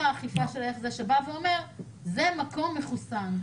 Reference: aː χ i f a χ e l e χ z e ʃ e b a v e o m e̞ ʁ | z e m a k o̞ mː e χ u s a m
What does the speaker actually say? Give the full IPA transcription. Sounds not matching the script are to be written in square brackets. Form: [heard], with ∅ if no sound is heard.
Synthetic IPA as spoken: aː χ i f a [ʃ] e l e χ z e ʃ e b a v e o m e̞ ʁ | z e m a k o̞ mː e χ u s a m